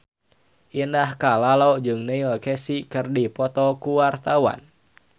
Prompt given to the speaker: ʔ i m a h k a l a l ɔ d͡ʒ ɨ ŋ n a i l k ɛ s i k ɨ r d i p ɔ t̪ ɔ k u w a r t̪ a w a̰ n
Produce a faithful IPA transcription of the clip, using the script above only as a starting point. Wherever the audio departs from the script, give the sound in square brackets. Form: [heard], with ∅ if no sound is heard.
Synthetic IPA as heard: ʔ i [n] a h k a l a l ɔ d͡ʒ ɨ ŋ n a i l k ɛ s i k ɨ r d i p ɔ t̪ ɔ k u w a r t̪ a w a̰ n